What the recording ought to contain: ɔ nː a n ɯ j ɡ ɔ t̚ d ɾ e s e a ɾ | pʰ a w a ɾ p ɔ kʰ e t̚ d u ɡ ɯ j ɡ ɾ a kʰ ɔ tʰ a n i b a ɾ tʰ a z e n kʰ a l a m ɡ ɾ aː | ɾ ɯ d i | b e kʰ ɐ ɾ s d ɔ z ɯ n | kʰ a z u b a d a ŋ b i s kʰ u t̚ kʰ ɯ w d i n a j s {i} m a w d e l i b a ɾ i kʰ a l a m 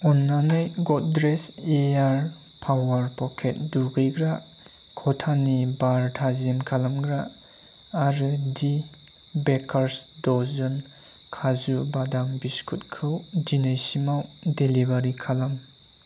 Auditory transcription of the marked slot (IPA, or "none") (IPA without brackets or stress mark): i